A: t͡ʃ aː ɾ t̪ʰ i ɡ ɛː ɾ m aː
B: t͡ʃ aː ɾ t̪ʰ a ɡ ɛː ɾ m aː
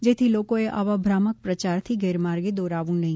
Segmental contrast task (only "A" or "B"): A